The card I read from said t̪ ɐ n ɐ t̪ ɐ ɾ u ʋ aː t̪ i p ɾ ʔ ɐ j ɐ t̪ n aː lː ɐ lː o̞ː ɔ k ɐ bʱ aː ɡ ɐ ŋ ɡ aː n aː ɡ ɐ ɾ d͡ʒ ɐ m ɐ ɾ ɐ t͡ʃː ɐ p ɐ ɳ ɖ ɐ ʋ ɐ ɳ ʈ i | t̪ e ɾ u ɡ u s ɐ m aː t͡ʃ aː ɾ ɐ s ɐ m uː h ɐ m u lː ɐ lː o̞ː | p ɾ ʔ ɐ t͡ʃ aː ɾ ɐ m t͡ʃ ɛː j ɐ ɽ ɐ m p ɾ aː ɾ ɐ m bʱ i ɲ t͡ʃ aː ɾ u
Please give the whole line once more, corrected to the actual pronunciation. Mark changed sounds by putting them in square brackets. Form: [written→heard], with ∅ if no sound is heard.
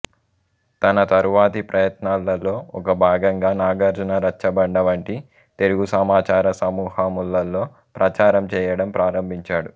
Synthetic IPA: t̪ ɐ n ɐ t̪ ɐ ɾ u ʋ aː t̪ i p ɾ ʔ ɐ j ɐ t̪ n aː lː ɐ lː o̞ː ɔ k ɐ bʱ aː ɡ ɐ ŋ ɡ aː n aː ɡ ɐ ɾ d͡ʒ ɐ [m→n] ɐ ɾ ɐ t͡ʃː ɐ [p→b] ɐ ɳ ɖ ɐ ʋ ɐ ɳ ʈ i | t̪ e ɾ u ɡ u s ɐ m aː t͡ʃ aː ɾ ɐ s ɐ m uː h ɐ m u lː ɐ lː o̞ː | p ɾ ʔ ɐ t͡ʃ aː ɾ ɐ m t͡ʃ ɛː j ɐ ɽ ɐ m p ɾ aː ɾ ɐ m bʱ i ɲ t͡ʃ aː [ɾ→ɽ] u